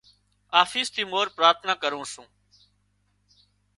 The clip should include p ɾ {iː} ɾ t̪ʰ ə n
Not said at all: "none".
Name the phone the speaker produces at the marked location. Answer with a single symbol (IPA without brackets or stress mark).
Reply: aː